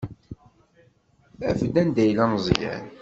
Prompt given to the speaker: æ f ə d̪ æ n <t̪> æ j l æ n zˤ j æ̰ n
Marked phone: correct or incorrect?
incorrect